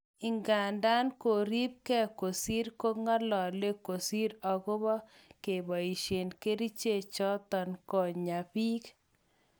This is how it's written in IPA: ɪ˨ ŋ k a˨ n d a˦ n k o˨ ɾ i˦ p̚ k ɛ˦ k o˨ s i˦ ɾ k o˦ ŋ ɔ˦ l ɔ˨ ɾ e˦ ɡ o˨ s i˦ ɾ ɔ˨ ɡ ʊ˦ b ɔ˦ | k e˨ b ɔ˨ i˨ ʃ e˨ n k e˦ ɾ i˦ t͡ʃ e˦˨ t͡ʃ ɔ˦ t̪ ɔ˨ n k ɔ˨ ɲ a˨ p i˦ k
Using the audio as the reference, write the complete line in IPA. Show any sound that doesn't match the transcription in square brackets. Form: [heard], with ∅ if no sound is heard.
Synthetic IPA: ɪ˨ ŋ [ɡ] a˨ n d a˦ n k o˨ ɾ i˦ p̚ k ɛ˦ k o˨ s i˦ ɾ k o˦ ŋ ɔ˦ l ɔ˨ [l] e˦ [k] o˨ s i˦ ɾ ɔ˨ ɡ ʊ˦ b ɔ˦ | k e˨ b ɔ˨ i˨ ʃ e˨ n k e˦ ɾ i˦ t͡ʃ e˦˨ t͡ʃ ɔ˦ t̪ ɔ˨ n k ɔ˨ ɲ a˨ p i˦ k